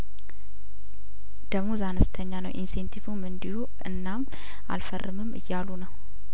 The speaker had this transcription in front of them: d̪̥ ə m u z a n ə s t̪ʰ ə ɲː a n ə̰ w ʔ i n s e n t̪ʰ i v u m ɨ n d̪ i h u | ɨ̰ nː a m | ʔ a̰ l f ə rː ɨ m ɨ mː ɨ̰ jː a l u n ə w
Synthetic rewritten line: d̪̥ ə m u z a n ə s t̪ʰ ə ɲː a n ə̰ w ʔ i n s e n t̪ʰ i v u m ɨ n d̪ i h u | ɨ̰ nː a m | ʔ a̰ l f ə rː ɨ m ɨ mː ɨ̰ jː a l u n ə w